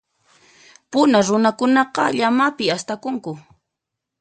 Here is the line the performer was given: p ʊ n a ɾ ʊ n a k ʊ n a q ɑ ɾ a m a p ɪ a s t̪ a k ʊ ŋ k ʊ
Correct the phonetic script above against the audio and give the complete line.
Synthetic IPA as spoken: p ʊ n a ɾ ʊ n a k ʊ n ɑ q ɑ ʎ a m a p ɪ a s t̪ a k ʊ ŋ k ʊ

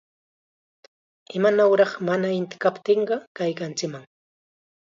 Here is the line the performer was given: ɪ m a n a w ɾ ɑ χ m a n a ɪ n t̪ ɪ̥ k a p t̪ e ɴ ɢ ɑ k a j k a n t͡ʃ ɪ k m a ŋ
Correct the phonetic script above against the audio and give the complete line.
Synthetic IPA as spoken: ɪ m a n a w ɾ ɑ χ m a n a ɪ n t̪ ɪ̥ k a p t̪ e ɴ ɢ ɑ k a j k a n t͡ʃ ɪ k m a ŋ

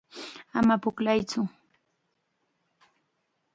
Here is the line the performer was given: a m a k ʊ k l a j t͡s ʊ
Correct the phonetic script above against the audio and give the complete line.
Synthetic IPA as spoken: a m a p ʊ k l a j t͡s ʊ

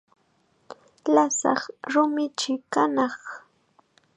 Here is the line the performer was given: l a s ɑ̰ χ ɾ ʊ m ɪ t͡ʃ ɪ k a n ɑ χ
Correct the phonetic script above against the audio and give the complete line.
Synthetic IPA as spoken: l a s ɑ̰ χ ɾ ʊ m ɪ t͡ʃ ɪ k a n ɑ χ

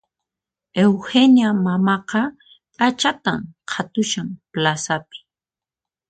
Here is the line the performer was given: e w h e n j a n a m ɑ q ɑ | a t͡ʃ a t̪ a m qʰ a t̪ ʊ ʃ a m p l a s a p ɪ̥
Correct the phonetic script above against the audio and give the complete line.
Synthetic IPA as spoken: e w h e n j a m a m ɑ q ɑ | a t͡ʃ a t̪ a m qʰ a t̪ ʊ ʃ a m p l a s a p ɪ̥

